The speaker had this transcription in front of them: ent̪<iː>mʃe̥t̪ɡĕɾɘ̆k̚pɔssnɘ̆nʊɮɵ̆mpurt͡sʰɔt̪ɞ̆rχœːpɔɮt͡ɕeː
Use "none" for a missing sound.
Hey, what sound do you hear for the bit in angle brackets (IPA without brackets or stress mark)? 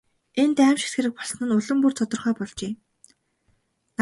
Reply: æː